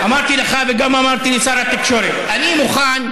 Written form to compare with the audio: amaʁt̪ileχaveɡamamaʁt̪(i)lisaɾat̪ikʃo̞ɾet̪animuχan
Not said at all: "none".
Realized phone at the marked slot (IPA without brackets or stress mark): i